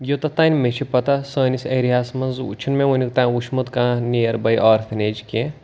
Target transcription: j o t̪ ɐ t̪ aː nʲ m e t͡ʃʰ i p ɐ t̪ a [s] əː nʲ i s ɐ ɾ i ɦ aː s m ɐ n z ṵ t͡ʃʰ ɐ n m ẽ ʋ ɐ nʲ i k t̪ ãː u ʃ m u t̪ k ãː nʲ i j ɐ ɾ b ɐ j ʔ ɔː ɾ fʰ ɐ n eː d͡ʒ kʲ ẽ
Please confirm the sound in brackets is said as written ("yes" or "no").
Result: yes